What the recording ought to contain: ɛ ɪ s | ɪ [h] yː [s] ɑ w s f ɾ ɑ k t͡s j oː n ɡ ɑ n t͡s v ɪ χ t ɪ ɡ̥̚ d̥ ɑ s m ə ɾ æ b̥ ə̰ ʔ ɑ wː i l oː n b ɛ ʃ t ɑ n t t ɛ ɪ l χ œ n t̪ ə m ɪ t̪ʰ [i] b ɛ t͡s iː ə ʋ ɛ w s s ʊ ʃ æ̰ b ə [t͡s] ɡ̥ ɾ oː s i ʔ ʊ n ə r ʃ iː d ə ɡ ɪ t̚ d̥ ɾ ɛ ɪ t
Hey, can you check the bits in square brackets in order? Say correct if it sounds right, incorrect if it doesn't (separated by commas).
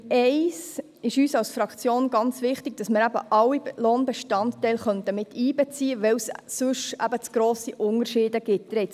incorrect, correct, incorrect, correct